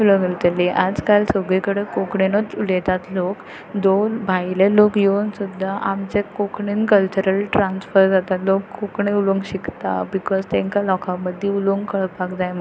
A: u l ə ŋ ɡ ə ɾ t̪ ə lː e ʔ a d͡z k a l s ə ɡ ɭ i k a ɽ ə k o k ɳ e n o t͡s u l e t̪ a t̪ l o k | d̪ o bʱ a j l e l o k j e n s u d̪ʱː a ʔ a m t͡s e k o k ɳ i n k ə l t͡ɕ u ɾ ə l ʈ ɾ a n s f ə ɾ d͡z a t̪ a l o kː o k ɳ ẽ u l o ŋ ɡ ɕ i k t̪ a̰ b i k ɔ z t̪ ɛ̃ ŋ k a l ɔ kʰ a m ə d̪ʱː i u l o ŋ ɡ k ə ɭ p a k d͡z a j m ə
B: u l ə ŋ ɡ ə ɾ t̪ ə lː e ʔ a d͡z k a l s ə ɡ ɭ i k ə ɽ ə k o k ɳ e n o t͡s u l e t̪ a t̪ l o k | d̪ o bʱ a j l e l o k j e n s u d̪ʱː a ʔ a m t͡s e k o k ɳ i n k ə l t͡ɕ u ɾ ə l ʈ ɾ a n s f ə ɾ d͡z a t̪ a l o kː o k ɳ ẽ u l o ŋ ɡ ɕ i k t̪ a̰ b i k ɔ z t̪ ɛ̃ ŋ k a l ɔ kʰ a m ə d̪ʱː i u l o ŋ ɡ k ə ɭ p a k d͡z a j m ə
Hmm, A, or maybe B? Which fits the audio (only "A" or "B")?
B